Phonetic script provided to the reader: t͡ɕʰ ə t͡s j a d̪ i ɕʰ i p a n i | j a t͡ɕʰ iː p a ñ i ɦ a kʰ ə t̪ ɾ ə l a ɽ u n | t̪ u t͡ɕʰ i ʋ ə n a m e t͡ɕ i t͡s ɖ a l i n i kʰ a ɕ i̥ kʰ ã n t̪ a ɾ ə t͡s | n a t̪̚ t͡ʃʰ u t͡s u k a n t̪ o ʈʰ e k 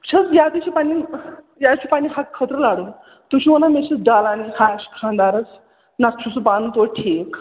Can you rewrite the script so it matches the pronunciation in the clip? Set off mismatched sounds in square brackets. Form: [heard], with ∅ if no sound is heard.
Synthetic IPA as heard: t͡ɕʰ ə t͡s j a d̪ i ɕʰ i p a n i | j a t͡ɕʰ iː p a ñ i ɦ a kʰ ə t̪ ɾ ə l a ɽ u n | t̪ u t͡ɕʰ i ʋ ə n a m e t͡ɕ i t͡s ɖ a l [a] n i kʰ a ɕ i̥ kʰ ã n [d̪] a ɾ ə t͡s | n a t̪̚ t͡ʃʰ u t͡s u [p] a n t̪ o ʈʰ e k